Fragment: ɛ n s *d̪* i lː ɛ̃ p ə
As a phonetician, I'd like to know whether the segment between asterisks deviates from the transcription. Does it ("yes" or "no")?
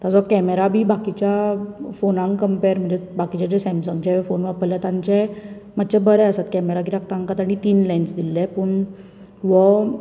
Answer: no